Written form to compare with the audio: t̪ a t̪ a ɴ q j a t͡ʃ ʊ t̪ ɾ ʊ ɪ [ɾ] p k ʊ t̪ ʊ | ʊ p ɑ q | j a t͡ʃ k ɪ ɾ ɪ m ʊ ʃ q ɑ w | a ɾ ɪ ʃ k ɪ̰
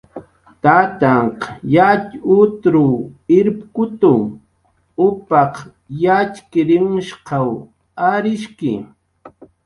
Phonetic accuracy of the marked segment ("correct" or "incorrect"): correct